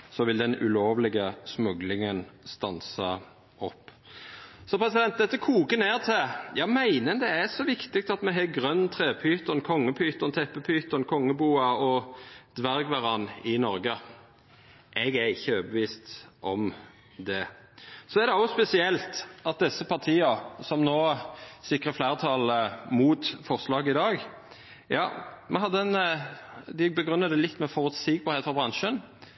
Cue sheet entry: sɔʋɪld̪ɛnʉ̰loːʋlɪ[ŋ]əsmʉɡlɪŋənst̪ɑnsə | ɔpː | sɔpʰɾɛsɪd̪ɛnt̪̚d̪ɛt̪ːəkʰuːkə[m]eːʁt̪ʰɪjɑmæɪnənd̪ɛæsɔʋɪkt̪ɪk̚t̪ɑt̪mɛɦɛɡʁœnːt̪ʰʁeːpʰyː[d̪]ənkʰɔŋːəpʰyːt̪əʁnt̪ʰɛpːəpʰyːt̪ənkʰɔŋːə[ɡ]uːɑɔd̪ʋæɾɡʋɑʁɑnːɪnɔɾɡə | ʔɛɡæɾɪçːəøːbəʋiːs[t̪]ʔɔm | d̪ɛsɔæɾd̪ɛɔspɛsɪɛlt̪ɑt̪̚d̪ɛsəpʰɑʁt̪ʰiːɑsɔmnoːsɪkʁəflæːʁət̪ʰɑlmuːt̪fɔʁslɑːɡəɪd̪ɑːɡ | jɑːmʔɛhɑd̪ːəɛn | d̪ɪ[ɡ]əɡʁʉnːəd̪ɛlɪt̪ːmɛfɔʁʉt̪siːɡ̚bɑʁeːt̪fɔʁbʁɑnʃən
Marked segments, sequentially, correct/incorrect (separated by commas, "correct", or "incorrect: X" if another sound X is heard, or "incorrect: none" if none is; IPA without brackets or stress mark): incorrect: ɡ, incorrect: n, incorrect: t̪, incorrect: b, correct, incorrect: b